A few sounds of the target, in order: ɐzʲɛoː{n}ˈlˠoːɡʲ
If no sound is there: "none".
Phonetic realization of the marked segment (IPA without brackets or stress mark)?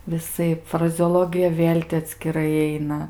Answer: none